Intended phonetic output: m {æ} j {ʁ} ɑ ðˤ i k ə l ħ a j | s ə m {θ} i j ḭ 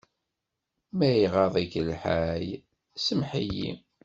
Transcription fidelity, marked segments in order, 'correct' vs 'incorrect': correct, correct, incorrect: ħ

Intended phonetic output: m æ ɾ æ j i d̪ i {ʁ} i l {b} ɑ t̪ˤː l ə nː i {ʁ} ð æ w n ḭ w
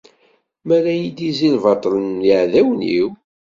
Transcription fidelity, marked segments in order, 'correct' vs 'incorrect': incorrect: z, incorrect: v, incorrect: ʕ

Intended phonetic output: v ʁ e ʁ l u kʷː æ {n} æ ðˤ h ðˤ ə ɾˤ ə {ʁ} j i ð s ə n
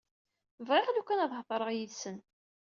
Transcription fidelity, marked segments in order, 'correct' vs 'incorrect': correct, correct

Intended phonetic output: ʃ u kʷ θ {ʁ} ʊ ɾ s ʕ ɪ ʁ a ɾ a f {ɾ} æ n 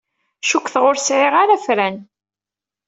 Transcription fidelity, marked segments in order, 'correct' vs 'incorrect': correct, correct

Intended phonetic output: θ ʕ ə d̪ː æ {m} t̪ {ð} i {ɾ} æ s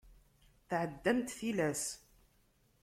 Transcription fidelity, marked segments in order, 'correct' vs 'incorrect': correct, incorrect: θ, incorrect: l

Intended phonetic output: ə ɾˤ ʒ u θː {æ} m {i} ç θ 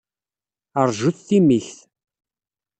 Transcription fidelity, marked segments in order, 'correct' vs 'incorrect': incorrect: i, correct

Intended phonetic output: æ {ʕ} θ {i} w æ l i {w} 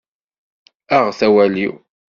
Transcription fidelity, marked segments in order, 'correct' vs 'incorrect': incorrect: ʁ, incorrect: æ, correct

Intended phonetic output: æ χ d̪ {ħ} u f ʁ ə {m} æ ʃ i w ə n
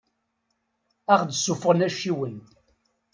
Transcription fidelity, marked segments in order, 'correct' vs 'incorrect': incorrect: s, incorrect: n

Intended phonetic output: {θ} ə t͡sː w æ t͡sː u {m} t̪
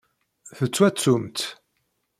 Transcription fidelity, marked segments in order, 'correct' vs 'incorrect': correct, correct

